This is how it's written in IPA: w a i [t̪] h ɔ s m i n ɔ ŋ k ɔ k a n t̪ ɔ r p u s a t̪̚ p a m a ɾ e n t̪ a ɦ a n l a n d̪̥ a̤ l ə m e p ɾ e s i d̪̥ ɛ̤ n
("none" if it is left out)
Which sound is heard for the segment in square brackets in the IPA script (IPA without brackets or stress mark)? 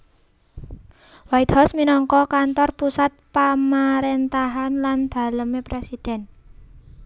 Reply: t̪